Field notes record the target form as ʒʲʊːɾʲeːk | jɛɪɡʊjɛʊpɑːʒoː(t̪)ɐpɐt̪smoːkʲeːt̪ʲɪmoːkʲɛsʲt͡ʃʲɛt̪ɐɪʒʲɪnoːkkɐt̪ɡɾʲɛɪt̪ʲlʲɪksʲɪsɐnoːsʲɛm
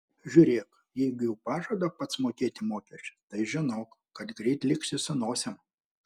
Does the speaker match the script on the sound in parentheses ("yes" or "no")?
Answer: no